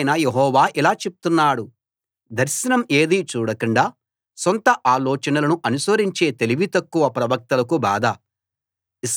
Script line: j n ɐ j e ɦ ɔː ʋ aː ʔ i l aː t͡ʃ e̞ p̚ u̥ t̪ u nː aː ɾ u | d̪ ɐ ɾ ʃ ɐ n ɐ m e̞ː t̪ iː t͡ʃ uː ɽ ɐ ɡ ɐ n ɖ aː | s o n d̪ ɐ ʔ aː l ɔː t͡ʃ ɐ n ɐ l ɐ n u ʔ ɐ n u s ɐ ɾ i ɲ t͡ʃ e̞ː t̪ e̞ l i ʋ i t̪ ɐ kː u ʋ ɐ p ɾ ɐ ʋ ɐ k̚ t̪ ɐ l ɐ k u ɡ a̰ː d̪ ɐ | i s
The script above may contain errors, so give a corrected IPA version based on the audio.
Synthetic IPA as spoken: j n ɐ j e ɦ ɔː ʋ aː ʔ i l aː t͡ʃ e̞ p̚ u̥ t̪ u nː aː ɽ u | d̪ ɐ ɾ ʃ ɐ n ɐ m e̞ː d̪ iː t͡ʃ uː ɽ ɐ k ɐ ɳ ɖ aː | s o n t̪ ɐ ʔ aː l ɔː t͡ʃ ɐ n ɐ l ɐ n u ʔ ɐ n u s ɐ ɾ i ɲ t͡ʃ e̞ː t̪ e̞ l i ʋ i t̪ ɐ kː u ʋ ɐ p ɾ ɐ ʋ ɐ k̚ t̪ ɐ l ɐ k u b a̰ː d̪ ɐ | i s